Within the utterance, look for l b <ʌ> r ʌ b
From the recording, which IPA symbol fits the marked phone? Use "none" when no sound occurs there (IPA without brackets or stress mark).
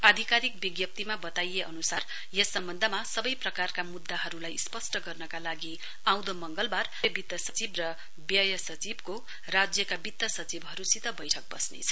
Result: a